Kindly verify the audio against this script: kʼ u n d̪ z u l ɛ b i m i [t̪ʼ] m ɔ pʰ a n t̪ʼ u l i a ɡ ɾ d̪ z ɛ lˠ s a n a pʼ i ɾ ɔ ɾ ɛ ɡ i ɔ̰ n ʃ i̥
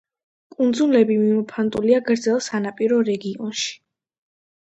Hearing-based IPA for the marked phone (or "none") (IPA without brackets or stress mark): none